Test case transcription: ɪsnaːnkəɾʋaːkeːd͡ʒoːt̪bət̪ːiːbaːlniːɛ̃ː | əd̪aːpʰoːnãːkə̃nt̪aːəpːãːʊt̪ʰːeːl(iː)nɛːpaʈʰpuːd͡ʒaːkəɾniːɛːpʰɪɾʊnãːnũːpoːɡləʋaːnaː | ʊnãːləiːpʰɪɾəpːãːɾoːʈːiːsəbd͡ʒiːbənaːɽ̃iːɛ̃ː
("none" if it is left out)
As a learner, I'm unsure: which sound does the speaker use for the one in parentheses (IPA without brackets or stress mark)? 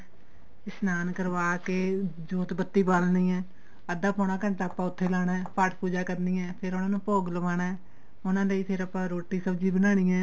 aː